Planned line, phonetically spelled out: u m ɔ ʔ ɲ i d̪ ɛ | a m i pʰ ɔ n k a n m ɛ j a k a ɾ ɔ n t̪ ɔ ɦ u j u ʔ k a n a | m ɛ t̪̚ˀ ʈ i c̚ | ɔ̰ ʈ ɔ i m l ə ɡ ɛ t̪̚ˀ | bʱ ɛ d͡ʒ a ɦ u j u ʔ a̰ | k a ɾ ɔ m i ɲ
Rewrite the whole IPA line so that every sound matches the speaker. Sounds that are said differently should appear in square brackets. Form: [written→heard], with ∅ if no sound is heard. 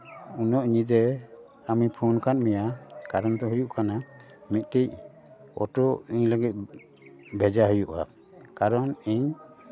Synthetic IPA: u [m→n] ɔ ʔ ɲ i d̪ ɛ | a m i pʰ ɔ n k a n m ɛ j a k a ɾ ɔ n t̪ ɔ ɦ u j u ʔ k a n a | m [ɛ→i] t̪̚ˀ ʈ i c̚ | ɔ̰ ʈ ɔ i [m→ɲ] l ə ɡ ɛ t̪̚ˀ | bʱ ɛ d͡ʒ a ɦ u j u ʔ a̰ | k a ɾ ɔ [m→n] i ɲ

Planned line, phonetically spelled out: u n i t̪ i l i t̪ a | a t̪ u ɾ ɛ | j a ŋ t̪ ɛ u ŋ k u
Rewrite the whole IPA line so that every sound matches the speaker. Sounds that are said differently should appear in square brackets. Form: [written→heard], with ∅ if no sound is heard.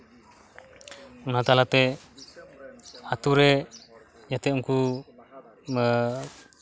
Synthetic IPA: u n [i→a] t̪ [i→a] l [i→a] t̪ [a→ɛ] | a t̪ u ɾ ɛ | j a [ŋ→∅] t̪ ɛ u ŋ k u

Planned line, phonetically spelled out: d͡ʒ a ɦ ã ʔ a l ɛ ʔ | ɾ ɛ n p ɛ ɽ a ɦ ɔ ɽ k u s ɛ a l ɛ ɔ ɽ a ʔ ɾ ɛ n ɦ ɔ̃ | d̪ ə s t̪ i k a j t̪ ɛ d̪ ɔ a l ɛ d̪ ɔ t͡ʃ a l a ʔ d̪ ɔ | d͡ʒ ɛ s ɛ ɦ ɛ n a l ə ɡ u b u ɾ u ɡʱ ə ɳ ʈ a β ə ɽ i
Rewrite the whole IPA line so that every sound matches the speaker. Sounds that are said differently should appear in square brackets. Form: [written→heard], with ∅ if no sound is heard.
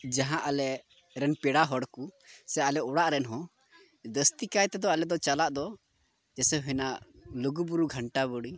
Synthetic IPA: d͡ʒ a ɦ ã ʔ a l ɛ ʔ | ɾ ɛ n p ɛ ɽ a ɦ ɔ ɽ k u s ɛ a l ɛ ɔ ɽ a ʔ ɾ ɛ n ɦ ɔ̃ | d̪ ə s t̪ i k a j t̪ ɛ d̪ ɔ a l ɛ d̪ ɔ t͡ʃ a l a ʔ d̪ ɔ | d͡ʒ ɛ s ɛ ɦ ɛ n a l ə ɡ u b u ɾ u ɡʱ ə ɳ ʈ a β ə ɽ i

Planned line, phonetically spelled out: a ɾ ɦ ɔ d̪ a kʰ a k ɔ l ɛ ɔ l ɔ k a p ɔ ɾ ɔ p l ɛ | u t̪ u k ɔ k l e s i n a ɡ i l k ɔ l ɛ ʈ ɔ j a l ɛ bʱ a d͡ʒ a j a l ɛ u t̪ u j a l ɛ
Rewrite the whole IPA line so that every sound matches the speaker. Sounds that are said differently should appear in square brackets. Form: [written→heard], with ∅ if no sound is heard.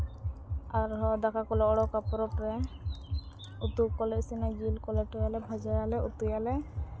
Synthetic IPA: a ɾ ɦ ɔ d̪ a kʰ a k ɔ l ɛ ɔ [l→ɽ] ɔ k a p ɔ ɾ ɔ p [l→ɾ] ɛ | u t̪ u k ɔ [k→∅] l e s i n a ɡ i l k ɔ l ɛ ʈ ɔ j a l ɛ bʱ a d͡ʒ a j a l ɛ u t̪ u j a l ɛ

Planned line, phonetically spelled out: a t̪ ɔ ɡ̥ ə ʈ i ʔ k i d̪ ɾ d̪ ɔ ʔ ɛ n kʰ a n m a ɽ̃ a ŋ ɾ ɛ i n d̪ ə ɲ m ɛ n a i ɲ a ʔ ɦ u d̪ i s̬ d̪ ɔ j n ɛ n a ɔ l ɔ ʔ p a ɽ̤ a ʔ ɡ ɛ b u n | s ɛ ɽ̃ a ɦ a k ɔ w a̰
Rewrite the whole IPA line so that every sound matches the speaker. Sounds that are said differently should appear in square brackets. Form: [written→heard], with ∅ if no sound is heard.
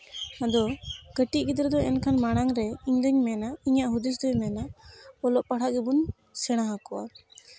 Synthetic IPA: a [t̪→d̪] ɔ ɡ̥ ə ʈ i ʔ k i d̪ ɾ d̪ ɔ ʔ ɛ n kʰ a n m a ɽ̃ a ŋ ɾ ɛ i [n→ɲ] d̪ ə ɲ m ɛ n a i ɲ a ʔ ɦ u d̪ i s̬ d̪ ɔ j [n→m] ɛ n a ɔ l ɔ ʔ p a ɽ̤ a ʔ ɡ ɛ b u n | s ɛ ɽ̃ a ɦ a k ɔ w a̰

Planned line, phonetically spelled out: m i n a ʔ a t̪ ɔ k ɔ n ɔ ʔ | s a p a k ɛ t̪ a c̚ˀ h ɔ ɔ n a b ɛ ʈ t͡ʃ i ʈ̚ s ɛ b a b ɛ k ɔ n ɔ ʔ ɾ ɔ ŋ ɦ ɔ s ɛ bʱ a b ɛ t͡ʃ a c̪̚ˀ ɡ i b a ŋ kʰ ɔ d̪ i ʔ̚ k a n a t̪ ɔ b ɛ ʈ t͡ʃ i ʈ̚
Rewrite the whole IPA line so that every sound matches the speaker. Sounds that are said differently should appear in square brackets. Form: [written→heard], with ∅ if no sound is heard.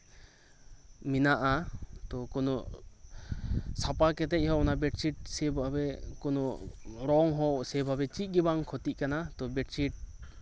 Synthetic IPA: m i n a ʔ a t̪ ɔ k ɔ n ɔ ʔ | s a p a k ɛ t̪ [a→ɛ] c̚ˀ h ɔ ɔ n a b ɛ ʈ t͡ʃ i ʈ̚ s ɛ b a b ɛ k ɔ n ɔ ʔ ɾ ɔ ŋ ɦ ɔ s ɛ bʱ a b ɛ t͡ʃ [a→i] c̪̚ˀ ɡ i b a ŋ kʰ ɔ [d̪→t̪] i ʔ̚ k a n a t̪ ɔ b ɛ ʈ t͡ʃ i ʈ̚

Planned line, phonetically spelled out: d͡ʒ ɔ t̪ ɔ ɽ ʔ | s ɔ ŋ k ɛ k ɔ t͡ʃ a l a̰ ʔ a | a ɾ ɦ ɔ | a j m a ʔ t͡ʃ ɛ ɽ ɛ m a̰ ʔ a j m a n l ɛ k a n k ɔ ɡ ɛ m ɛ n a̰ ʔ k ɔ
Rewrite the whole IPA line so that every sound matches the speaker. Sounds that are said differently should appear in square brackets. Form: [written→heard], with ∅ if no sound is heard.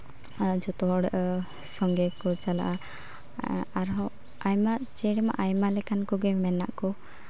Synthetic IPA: d͡ʒ ɔ t̪ ɔ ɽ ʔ | s ɔ ŋ [k→ɡ] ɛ k ɔ t͡ʃ a l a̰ ʔ a | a ɾ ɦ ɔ | a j m a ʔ t͡ʃ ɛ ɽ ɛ m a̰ ʔ a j m a [n→∅] l ɛ k a n k ɔ ɡ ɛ m ɛ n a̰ ʔ k ɔ

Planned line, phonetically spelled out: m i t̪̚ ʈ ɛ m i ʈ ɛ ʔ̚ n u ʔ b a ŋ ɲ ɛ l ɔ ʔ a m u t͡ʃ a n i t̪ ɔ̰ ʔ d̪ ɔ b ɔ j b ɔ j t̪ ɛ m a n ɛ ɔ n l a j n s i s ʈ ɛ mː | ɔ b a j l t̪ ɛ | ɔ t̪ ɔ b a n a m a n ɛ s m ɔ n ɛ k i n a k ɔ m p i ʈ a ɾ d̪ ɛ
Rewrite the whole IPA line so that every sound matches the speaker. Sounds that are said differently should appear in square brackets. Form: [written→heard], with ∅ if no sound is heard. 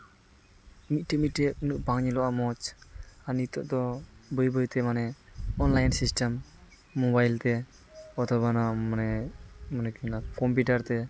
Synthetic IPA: m i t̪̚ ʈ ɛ m i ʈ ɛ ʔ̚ n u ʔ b a ŋ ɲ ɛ l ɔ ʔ a m [u→ɔ] t͡ʃ a n i t̪ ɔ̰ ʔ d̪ ɔ b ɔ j b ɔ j t̪ ɛ m a n ɛ ɔ n l a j n s i s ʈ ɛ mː | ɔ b a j l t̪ ɛ | ɔ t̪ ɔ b a n a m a n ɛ [s→∅] m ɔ n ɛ k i n a k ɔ m p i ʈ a ɾ [d̪→t̪] ɛ

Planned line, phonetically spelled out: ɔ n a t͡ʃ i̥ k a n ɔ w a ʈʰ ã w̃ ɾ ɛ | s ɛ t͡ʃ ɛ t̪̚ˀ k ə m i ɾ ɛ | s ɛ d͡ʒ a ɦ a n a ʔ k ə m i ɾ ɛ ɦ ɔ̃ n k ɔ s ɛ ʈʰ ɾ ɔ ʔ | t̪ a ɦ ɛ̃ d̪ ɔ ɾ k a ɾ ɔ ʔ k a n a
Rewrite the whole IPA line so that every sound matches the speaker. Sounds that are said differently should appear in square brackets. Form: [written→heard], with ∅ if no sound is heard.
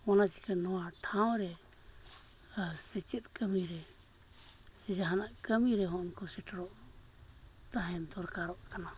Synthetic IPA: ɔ n a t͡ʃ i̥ k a n ɔ w a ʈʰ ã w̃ ɾ ɛ | s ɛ t͡ʃ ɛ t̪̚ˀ k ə m i ɾ ɛ | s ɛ d͡ʒ a ɦ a n a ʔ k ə m i ɾ ɛ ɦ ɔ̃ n k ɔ s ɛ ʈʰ ɾ ɔ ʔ | t̪ a ɦ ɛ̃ d̪ ɔ ɾ k a ɾ ɔ ʔ k a n a

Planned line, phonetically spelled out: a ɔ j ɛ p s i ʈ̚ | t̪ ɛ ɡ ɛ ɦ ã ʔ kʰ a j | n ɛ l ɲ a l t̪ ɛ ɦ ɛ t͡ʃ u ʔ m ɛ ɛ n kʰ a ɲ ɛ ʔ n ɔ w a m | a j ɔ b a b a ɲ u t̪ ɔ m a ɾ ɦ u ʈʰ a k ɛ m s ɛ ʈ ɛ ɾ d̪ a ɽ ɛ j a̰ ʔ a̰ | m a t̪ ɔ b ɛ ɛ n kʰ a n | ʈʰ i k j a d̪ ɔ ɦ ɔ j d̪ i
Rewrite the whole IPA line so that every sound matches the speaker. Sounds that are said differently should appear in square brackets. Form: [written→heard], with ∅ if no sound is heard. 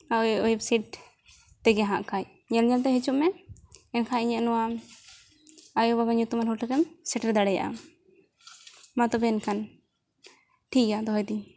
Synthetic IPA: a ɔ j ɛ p s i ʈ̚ | t̪ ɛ ɡ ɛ ɦ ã ʔ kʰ a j | [n→ɲ] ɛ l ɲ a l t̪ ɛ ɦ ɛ t͡ʃ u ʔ m ɛ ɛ n kʰ a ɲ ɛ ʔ n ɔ w a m | a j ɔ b a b a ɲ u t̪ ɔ m a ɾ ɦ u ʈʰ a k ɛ m s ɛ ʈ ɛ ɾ d̪ a ɽ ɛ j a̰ ʔ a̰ | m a t̪ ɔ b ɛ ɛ n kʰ a n | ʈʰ i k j a d̪ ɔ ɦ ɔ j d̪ i

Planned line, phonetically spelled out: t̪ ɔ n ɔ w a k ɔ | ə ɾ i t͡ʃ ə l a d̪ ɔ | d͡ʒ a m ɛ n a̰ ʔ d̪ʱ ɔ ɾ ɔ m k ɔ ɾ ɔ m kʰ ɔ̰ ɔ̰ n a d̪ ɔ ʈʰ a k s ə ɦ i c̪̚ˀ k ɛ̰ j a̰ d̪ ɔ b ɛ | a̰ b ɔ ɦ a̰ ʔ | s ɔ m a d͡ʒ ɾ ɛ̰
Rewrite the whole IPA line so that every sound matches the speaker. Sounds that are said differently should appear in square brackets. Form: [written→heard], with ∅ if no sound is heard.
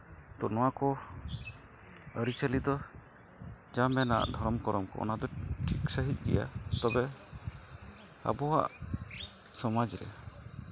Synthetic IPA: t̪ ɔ n ɔ w a k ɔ | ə ɾ i t͡ʃ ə l [a→i] d̪ ɔ | d͡ʒ a m ɛ n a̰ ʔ d̪ʱ ɔ ɾ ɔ m k ɔ ɾ ɔ m [kʰ→k] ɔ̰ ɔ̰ n a d̪ ɔ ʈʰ [a→i] k s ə ɦ i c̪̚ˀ [k→ɡ] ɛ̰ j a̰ [d̪→t̪] ɔ b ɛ | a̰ b ɔ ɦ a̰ ʔ | s ɔ m a d͡ʒ ɾ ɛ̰

